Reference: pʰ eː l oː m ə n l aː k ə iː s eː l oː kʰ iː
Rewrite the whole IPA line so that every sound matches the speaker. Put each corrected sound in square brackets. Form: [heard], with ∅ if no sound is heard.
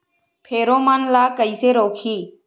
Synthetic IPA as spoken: pʰ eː [ɾ] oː m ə n l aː k ə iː s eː [ɾ] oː kʰ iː